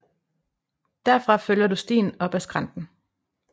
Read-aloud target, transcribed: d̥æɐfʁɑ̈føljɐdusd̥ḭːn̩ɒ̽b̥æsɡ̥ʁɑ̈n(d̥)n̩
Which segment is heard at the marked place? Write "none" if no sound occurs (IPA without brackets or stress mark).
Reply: d̥